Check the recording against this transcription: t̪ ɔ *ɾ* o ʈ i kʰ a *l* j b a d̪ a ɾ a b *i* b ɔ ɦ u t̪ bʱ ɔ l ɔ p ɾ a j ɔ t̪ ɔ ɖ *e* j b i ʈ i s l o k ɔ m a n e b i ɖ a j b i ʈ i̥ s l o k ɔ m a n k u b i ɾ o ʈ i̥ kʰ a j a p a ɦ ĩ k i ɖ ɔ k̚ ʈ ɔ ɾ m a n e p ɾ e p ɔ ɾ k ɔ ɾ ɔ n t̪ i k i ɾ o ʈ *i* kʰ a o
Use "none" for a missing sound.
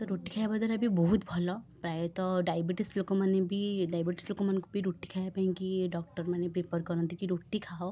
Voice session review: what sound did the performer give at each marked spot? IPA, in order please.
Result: ɾ, none, i, a, i

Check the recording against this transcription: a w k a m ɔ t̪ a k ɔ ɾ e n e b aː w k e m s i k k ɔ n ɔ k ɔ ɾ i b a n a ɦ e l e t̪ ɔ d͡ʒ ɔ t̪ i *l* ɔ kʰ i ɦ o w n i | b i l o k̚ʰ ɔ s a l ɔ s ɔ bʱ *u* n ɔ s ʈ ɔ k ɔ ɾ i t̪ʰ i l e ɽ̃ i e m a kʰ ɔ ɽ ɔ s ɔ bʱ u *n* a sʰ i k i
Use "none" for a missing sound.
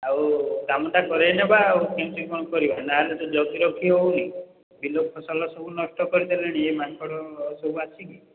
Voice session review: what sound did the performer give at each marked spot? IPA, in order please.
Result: ɾ, u, none

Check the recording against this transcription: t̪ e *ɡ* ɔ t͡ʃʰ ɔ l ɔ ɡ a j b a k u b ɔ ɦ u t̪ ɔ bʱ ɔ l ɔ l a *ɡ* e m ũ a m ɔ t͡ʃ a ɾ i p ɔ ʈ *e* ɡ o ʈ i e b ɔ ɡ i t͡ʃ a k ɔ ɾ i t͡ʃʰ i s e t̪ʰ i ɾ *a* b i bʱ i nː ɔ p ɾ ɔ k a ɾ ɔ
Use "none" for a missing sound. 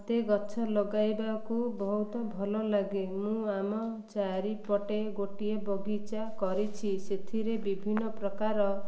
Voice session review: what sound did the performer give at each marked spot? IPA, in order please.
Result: ɡ, ɡ, e, e

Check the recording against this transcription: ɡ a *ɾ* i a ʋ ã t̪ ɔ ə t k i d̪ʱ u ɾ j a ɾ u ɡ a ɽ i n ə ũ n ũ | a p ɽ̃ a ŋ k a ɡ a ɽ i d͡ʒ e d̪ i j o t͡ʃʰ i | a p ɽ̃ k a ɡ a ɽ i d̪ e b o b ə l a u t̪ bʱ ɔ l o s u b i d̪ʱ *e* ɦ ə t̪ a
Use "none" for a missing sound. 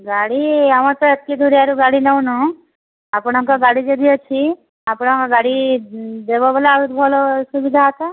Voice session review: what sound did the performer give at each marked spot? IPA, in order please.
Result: ɽ, a

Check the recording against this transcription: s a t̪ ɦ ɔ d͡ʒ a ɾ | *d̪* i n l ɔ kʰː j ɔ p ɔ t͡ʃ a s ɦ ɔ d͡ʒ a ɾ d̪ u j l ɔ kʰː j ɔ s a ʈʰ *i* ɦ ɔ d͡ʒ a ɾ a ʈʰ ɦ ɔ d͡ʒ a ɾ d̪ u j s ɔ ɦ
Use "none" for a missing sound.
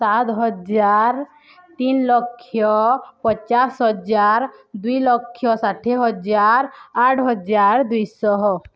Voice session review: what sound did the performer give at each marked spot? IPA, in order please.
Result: t̪, e

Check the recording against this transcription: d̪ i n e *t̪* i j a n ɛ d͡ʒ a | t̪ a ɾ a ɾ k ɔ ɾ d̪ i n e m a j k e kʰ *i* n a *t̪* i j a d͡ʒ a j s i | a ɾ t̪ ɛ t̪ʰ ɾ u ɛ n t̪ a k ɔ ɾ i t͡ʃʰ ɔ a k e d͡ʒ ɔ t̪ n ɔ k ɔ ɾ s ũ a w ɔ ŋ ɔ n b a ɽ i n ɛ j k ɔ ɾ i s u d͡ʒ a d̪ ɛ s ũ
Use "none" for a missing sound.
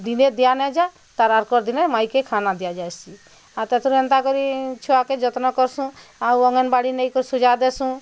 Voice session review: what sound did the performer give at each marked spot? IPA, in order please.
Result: d̪, a, d̪

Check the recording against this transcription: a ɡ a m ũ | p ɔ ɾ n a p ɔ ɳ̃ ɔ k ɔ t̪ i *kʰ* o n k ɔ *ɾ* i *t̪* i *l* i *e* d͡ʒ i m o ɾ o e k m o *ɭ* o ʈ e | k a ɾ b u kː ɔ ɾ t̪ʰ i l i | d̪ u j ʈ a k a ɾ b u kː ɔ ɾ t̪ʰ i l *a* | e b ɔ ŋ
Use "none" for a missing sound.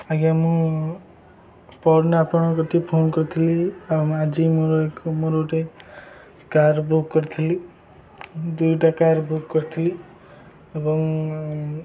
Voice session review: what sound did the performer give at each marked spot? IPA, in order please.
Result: pʰ, ɾ, t̪ʰ, l, a, ɾ, i

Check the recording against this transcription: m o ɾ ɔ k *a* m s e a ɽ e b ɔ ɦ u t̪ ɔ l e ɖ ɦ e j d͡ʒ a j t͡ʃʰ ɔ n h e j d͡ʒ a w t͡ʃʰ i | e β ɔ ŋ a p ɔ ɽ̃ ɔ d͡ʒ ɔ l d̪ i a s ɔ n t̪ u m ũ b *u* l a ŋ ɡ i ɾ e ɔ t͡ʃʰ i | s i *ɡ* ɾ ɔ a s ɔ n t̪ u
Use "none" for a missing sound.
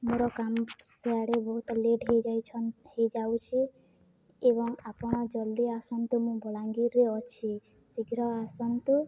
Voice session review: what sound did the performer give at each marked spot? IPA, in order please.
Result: a, ɔ, ɡ

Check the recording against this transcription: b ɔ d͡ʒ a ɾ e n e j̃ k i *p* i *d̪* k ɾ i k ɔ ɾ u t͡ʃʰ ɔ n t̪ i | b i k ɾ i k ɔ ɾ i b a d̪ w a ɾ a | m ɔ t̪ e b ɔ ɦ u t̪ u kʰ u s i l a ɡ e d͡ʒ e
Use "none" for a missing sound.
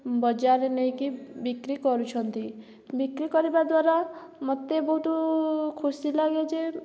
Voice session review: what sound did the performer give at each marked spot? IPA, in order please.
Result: b, none

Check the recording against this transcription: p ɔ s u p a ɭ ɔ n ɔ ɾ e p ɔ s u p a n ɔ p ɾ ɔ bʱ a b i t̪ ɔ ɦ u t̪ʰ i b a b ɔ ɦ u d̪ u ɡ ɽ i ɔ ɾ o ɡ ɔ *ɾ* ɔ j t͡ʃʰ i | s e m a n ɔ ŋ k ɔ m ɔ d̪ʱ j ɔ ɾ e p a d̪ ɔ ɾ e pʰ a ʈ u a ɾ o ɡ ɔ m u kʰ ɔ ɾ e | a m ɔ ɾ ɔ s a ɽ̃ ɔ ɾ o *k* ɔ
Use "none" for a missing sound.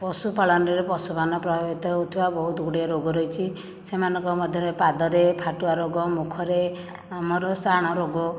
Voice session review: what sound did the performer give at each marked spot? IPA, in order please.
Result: ɾ, ɡ

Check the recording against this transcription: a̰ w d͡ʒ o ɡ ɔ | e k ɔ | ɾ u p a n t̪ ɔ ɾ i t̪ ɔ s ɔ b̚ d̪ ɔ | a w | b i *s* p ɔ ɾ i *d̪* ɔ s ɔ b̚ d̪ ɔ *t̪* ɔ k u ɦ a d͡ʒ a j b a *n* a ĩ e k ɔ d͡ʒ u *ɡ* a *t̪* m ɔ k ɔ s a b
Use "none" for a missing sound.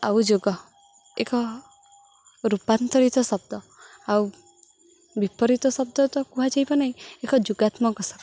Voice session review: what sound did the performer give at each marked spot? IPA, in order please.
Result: none, t̪, t̪, n, ɡ, t̪

